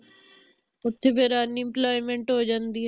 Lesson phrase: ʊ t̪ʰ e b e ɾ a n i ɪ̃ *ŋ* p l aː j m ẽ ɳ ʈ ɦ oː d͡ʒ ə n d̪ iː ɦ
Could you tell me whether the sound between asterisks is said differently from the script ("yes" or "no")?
yes